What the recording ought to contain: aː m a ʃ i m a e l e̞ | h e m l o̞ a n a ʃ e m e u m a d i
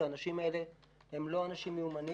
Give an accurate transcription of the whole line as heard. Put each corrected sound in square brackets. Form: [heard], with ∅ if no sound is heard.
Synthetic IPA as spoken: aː [n] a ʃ i m a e l e̞ | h e m l o̞ a n a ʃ [i] m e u m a [n] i

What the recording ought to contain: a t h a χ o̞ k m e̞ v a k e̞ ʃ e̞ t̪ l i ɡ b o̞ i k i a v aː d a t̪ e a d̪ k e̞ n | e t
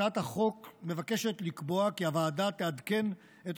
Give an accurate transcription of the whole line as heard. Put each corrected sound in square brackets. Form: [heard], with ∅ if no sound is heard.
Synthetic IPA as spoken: a t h a χ o̞ k m e̞ v a k e̞ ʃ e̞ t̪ l i [k] b o̞ [a] k i a v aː d a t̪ e a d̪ k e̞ n | e t

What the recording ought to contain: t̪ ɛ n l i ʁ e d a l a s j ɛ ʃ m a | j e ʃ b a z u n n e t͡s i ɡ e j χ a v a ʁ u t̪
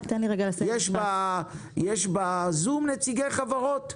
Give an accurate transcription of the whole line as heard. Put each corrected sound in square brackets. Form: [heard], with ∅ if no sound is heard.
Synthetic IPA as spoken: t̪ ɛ n l i ʁ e [ɡ] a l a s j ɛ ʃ [b] a | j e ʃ b a z u [m] n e t͡s i ɡ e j χ a v a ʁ [o] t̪

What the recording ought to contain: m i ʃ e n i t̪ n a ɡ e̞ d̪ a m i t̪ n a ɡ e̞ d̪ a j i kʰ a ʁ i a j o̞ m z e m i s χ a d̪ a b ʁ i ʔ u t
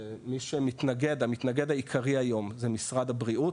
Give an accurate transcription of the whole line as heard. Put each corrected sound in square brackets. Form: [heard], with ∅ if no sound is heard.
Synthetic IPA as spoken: m i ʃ e [m] i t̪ n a ɡ e̞ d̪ a m i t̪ n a ɡ e̞ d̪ a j i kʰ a ʁ i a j o̞ m z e m i s [ʁ] a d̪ a b ʁ i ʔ u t

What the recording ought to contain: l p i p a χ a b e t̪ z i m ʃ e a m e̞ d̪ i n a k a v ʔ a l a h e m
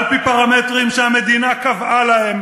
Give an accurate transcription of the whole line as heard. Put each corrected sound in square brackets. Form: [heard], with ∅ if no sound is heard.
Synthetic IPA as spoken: l p i p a [ʁ] a [m] e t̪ [ʁ] i m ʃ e a m e̞ d̪ i n a k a v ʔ a l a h e m

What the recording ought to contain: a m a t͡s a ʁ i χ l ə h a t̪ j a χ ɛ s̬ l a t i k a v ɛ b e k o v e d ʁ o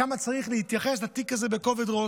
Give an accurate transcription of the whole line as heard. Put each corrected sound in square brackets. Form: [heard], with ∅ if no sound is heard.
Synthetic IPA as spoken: a m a t͡s a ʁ i χ l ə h [i] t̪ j a χ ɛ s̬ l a t i k a [z] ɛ b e k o v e d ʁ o

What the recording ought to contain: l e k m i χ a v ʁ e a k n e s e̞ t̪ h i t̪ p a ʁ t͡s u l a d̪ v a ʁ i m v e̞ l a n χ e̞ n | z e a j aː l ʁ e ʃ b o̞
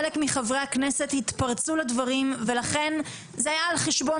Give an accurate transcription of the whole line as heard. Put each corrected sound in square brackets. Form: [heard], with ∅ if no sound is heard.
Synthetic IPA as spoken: l e k m i χ a v ʁ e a k n e s e̞ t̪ h i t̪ p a ʁ t͡s u l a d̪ v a ʁ i m v e̞ l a [∅] χ e̞ n | z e a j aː l [χ] e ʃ b o̞

